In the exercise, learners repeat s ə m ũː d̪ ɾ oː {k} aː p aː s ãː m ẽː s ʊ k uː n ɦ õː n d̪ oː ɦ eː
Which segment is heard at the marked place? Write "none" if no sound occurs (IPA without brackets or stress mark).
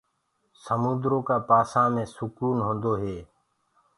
k